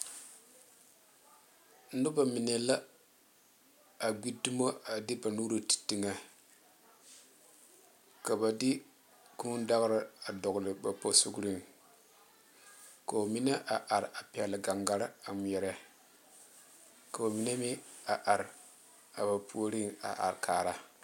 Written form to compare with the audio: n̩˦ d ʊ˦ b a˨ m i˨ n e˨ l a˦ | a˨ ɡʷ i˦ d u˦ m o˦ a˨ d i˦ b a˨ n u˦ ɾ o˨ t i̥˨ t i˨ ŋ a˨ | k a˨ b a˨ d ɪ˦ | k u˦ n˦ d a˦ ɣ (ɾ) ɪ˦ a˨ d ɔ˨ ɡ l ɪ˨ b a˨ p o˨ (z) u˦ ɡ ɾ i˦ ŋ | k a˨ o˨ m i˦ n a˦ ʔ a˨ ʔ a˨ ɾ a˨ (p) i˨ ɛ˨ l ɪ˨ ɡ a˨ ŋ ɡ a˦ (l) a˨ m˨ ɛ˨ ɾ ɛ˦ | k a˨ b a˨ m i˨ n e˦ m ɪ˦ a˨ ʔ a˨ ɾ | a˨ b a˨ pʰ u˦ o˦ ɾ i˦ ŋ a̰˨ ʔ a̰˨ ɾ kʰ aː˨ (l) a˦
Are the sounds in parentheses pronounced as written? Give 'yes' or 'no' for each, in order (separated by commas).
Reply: yes, no, yes, no, no